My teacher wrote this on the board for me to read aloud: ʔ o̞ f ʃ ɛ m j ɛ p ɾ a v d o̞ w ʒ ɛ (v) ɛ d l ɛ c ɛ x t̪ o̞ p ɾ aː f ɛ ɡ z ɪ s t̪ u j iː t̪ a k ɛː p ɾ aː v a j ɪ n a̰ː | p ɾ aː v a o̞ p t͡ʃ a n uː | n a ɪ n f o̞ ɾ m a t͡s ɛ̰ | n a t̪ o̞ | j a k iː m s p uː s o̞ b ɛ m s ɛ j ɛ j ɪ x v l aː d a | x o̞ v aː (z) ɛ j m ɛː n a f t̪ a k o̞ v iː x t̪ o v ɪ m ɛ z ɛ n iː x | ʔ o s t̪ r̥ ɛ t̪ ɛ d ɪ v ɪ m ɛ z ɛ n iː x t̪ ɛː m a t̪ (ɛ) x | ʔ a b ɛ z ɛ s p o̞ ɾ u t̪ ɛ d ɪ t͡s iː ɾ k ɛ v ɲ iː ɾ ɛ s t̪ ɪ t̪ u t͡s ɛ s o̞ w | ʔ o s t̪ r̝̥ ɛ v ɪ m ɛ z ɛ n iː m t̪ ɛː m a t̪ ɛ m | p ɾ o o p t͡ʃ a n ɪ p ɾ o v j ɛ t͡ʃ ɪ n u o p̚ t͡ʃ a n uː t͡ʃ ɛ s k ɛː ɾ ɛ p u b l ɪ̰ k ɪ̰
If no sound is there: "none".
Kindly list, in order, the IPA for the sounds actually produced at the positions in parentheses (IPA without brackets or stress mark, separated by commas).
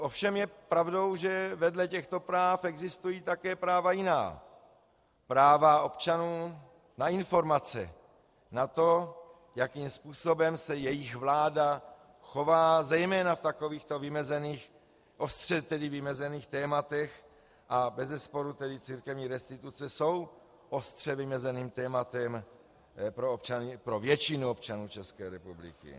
v, z, ɛ